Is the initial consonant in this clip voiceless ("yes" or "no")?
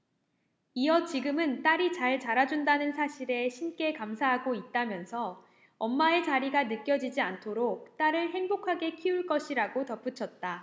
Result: yes